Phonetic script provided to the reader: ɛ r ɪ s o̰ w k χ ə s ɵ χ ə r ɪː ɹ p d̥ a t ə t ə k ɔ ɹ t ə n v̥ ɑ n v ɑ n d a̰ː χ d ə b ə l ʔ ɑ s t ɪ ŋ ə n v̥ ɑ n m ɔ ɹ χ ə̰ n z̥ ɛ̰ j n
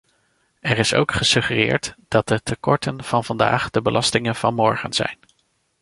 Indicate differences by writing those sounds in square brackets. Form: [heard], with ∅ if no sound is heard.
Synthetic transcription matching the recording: ɛ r ɪ s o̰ w k χ ə s ɵ χ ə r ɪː ɹ [t] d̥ [ɑ] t ə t ə k ɔ ɹ t ə n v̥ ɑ n v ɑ n d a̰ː χ d ə b ə l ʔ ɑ s t ɪ ŋ ə n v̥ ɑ n m ɔ ɹ χ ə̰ n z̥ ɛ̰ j n